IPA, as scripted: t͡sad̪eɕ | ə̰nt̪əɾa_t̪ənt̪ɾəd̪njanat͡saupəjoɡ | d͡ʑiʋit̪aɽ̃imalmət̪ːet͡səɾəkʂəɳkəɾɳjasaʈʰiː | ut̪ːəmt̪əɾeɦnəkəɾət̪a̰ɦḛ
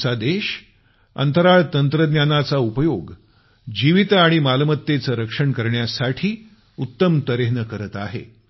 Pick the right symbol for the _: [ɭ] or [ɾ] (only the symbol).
ɭ